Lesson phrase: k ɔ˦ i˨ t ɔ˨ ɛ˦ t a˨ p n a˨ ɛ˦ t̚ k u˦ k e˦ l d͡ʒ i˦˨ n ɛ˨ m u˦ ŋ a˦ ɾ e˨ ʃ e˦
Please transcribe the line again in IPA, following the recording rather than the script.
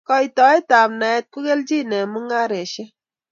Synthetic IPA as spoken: k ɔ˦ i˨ t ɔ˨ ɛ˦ t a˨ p n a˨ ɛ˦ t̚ k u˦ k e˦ l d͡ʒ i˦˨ n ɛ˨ m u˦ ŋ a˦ ɾ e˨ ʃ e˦